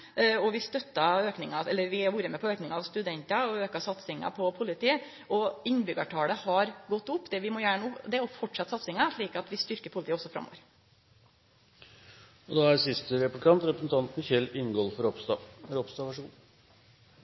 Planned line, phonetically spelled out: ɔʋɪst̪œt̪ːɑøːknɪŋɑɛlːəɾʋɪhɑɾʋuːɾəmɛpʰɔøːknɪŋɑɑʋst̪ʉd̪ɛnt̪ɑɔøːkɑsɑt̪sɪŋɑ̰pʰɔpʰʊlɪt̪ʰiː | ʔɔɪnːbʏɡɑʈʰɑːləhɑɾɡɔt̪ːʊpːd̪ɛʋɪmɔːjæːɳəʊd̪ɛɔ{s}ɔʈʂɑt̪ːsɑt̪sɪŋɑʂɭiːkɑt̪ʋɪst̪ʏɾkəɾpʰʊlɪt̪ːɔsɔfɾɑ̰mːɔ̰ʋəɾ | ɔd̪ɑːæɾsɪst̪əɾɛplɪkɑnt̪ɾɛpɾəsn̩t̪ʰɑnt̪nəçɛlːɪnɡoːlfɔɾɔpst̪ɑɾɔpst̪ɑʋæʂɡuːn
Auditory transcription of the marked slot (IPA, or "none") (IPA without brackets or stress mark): f